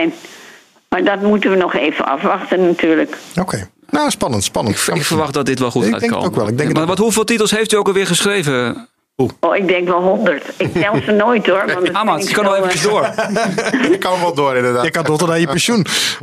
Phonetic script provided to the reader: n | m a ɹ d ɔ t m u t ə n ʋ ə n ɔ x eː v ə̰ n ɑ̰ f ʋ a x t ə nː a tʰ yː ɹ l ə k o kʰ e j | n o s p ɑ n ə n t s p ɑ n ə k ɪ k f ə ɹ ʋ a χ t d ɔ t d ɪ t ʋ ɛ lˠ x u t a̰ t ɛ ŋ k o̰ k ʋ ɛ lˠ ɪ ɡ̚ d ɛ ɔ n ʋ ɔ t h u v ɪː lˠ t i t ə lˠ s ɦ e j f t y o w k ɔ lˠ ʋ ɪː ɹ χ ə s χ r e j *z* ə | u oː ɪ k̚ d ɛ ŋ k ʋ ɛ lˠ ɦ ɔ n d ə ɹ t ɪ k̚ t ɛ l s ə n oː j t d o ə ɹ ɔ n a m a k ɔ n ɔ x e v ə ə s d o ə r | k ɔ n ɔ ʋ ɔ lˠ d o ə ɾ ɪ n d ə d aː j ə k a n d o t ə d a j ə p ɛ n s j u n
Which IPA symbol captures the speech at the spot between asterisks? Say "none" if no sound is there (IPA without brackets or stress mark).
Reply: v